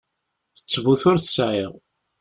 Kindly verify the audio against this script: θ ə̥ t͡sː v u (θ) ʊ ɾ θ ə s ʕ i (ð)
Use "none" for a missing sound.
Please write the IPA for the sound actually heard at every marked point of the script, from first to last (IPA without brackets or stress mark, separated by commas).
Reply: θ, ʁ